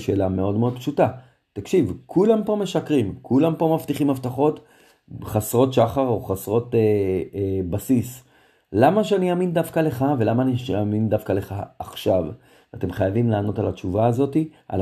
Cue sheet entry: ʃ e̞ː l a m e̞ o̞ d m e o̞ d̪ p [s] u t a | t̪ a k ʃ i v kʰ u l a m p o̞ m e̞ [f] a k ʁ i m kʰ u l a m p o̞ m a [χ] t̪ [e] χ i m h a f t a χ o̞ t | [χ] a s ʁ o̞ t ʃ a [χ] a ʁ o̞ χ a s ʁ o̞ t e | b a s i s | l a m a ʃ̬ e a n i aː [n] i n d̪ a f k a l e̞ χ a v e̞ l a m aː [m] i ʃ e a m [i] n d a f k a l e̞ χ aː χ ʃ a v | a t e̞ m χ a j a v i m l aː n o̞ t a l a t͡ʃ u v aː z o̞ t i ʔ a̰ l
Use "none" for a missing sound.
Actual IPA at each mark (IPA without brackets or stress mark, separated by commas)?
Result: ʃ, ʃ, f, i, χ, χ, m, n, i